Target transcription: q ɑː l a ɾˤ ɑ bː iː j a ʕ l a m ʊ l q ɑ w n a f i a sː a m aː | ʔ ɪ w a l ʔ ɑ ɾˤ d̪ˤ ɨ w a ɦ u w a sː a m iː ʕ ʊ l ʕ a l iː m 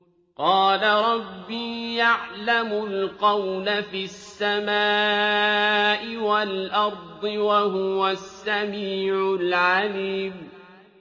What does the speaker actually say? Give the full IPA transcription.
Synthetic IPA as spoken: q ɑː l a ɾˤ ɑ bː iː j a ʕ l a m ʊ l q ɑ w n a f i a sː a m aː | ʔ ɪ w a l ʔ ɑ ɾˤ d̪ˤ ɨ w a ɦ ʊ w a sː a m iː ʕ ʊ l ʕ a l iː m